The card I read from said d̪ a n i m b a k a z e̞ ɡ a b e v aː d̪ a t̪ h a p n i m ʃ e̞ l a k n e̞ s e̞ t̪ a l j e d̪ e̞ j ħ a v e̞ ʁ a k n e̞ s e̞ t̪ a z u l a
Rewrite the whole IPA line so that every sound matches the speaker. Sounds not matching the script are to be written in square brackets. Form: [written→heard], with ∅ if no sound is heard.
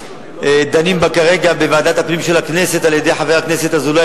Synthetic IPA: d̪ a n i m b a k a [z→ʁ] e̞ ɡ a b e v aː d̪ a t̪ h a p n i m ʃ e̞ l a k n e̞ s e̞ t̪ a l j e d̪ e̞ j ħ a v e̞ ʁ a k n e̞ s e̞ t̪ a z u l a